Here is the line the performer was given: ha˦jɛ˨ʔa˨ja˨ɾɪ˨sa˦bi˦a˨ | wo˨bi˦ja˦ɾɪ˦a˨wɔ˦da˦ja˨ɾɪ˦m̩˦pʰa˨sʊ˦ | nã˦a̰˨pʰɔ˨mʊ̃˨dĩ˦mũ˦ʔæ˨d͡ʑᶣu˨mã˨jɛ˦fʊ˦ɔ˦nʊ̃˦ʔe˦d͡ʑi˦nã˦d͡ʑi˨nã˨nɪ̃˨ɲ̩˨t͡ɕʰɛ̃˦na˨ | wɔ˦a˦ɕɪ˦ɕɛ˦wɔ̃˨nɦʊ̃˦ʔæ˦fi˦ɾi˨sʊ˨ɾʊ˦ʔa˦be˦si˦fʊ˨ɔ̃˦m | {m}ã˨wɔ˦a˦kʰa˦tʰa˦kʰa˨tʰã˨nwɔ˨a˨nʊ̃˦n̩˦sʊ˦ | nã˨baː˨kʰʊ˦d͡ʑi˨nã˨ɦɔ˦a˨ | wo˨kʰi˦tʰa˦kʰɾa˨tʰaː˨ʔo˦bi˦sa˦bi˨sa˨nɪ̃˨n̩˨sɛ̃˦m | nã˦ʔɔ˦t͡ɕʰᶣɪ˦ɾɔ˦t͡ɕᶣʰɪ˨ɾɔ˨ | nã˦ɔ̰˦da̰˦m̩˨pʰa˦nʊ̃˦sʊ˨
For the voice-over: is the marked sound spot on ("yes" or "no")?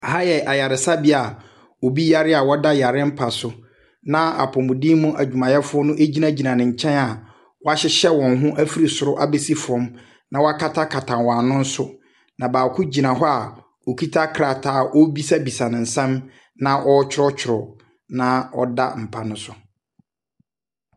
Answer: no